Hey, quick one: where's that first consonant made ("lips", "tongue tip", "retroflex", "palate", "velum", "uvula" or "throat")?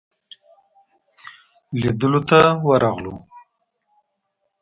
tongue tip